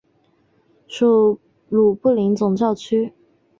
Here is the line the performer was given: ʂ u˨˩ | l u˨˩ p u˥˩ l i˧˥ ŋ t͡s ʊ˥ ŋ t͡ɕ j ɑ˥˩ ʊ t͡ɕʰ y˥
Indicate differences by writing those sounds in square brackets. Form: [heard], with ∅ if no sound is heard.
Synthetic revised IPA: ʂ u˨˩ | l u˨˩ p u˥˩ l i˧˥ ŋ t͡s [ʊ˨˩] ŋ t͡ɕ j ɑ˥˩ ʊ t͡ɕʰ y˥